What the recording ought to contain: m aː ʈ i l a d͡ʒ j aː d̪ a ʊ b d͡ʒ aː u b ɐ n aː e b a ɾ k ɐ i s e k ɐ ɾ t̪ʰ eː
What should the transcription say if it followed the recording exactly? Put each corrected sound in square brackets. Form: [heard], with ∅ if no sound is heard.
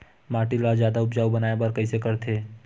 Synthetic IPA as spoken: m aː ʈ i l a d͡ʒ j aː d̪ a ʊ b d͡ʒ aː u b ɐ n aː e b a ɾ k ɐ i s e k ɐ ɾ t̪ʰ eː